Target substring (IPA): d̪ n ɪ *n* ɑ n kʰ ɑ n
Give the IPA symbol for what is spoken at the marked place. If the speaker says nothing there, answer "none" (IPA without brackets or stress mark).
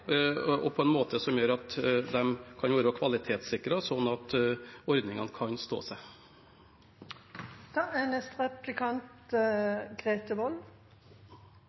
ŋ